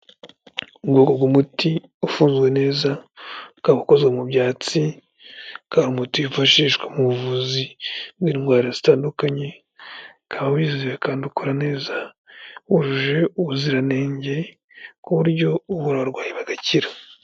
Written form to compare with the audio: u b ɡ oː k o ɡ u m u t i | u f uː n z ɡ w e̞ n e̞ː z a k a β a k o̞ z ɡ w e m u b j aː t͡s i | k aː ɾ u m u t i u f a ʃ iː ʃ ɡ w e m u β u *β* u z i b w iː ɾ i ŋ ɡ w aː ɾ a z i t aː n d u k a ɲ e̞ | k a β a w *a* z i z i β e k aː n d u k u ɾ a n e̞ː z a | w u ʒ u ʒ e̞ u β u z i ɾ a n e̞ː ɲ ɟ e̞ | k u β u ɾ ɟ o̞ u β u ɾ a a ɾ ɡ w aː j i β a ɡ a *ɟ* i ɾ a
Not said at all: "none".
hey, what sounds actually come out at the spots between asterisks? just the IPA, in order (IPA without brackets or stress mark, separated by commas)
v, i, c